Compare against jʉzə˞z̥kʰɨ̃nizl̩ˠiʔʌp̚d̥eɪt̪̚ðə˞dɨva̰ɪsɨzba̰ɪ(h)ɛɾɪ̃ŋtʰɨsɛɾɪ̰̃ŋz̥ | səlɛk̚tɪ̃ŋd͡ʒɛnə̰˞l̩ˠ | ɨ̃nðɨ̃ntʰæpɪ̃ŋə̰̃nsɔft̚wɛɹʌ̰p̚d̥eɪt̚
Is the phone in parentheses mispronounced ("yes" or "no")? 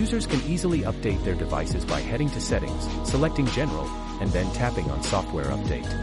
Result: no